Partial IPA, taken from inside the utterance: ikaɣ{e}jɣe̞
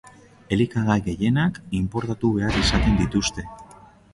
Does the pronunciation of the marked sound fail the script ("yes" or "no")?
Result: yes